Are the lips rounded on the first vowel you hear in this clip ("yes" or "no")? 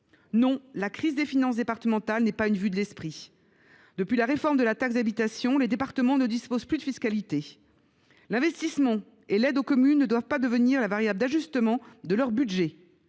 yes